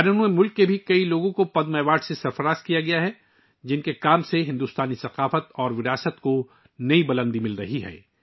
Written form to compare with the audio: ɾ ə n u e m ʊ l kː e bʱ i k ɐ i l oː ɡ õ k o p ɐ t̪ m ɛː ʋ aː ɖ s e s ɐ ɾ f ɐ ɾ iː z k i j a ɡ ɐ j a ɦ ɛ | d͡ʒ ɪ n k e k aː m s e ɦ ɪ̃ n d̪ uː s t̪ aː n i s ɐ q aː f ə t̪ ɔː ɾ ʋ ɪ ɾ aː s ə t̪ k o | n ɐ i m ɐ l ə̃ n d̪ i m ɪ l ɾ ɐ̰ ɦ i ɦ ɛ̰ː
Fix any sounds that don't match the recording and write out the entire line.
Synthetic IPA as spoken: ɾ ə n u e m ʊ l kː e bʱ i k ɐ i l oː ɡ õ k o p ɐ d̪ m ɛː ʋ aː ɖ s e s ɐ ɾ f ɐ ɾ aː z k i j a ɡ ɐ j a ɦ ɛ | d͡ʒ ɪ n k e k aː m s e ɦ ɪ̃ n d̪ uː s t̪ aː n i s ɐ q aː f ə t̪ ɔː ɾ ʋ ɪ ɾ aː s ə t̪ k o | n ɐ i b ɐ l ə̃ n d̪ i m ɪ l ɾ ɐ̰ ɦ i ɦ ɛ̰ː